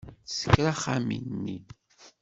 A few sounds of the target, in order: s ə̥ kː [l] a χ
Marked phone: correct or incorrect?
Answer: incorrect